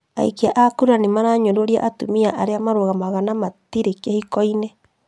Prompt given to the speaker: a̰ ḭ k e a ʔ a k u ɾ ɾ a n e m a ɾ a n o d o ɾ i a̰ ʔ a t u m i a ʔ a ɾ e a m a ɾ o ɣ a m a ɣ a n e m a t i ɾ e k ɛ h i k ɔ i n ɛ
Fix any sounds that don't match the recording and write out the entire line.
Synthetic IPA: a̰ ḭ k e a ʔ a k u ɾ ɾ a n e m a ɾ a ɲ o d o ɾ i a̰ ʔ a t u m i a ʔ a ɾ e a m a ɾ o ɣ a m a ɣ a n a m a t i ɾ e k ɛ h i k ɔ i n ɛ

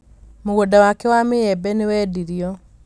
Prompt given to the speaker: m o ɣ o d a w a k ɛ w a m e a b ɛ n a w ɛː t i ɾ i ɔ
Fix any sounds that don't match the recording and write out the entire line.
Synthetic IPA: m o ɣ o d a w a k ɛ w a m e ɛ b ɛ n e w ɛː d i ɾ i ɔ

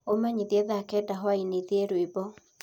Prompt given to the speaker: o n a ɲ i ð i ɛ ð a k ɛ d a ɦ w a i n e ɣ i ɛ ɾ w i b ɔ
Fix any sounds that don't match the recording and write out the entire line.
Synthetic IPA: o m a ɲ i ð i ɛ ð a k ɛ d a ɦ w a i n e ð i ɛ ɾ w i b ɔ

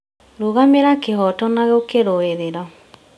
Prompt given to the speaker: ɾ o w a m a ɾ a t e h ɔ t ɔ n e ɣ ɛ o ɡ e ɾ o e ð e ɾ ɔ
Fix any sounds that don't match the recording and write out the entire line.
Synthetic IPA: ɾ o ɣ a m e ɾ a k e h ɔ t ɔ n a ɣ ɛ o k e ɾ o e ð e ɾ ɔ

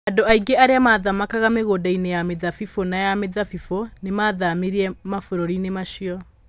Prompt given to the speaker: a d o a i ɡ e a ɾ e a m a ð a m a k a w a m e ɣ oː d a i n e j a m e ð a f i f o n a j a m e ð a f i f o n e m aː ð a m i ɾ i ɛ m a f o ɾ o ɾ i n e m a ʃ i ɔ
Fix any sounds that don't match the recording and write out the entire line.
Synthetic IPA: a d o a i ɡ e a ɾ e a m a ð a m a k a ɣ a m e ɣ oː d a i n e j a m e ð a f i f o n a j a m e ð a f i f o n e m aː ð a m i ɾ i ɛ m a f o ɾ o ɾ i n e m a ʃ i ɔ

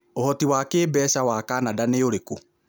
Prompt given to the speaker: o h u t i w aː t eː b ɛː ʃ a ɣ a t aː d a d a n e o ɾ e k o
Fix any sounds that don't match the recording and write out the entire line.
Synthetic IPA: o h ɔ t i w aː k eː b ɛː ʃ a w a k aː n a d a n e o ɾ e k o

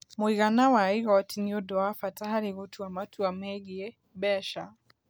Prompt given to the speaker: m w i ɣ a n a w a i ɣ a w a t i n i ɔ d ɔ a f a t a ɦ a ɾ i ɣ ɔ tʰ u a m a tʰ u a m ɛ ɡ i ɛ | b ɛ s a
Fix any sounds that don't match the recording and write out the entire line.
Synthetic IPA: m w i ɣ a n a w a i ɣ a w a t i n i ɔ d ɔ a f a t a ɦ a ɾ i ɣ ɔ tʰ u a m a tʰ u a m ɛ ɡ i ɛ | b ɛ ʃ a

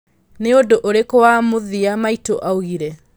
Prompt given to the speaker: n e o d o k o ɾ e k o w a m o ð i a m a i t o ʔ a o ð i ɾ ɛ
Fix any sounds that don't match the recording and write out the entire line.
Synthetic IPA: n e o d o ʔ o ɾ e k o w a m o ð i a m a i t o ʔ a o ɣ i ɾ ɛ

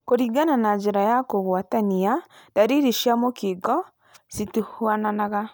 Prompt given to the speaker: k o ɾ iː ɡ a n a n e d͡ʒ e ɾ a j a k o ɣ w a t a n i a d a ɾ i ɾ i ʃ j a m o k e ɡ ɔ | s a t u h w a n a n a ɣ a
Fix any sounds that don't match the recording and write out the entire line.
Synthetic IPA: k o ɾ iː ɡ a n a n a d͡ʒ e ɾ a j a k o ɣ w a t a n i a d a ɾ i ɾ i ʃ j a m o k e ɡ ɔ | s i t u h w a n a n a ɣ a

